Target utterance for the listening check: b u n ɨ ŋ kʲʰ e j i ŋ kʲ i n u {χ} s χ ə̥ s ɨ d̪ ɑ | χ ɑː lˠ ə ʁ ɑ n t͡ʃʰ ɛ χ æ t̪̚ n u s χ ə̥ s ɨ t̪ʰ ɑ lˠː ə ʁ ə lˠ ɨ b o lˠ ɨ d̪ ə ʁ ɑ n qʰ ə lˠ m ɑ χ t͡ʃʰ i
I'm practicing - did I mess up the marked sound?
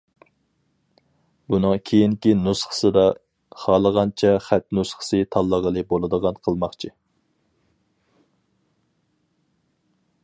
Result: yes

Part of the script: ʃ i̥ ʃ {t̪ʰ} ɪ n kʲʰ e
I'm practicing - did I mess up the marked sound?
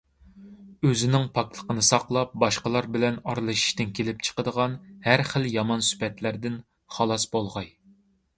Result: yes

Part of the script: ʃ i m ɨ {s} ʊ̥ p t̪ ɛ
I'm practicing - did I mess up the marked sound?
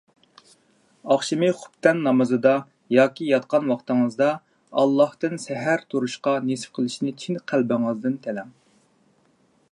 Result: yes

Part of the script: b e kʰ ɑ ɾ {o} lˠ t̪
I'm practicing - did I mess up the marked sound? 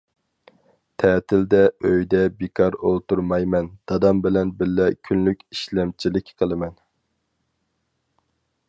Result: no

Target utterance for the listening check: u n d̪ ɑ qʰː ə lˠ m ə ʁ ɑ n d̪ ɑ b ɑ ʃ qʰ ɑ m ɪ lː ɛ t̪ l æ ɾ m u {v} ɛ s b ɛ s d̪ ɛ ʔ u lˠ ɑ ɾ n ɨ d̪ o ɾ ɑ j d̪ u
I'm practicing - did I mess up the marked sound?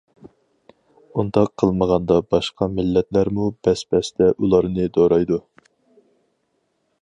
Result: yes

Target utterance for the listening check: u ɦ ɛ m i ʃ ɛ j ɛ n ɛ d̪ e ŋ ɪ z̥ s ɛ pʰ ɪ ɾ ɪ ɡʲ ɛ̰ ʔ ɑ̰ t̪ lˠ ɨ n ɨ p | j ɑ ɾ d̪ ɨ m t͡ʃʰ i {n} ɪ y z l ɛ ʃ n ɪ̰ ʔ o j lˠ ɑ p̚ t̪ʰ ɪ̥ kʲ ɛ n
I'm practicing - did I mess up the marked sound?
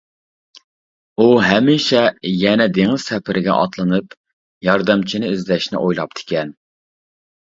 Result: no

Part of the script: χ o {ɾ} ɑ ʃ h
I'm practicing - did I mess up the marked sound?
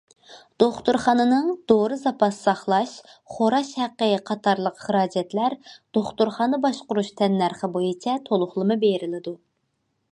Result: no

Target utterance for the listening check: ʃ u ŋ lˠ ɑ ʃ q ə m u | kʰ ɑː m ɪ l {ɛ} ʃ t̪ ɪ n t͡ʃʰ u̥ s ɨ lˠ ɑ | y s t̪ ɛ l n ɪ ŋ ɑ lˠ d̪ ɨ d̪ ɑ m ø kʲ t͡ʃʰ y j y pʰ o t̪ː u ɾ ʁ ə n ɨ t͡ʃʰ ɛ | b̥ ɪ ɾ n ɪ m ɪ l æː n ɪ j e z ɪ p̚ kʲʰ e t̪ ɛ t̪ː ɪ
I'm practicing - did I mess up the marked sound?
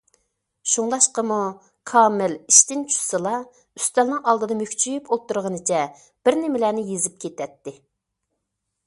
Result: yes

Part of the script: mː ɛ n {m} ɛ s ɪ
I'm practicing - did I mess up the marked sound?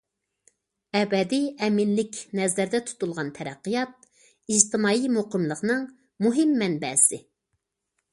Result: yes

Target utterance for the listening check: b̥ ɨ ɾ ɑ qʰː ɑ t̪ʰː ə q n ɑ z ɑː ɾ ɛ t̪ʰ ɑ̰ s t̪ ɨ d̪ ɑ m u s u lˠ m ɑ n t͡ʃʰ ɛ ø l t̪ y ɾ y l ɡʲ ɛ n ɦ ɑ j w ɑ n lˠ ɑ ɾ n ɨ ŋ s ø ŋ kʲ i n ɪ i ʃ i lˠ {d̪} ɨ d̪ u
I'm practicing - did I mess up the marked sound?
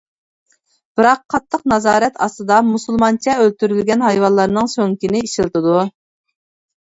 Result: yes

